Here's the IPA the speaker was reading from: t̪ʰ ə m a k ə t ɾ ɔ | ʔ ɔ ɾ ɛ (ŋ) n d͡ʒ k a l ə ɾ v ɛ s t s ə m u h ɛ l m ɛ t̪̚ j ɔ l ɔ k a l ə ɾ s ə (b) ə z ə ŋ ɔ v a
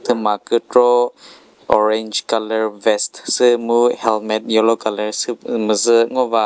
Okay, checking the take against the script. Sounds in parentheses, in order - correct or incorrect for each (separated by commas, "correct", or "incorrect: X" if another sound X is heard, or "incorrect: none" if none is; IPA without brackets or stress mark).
incorrect: none, incorrect: m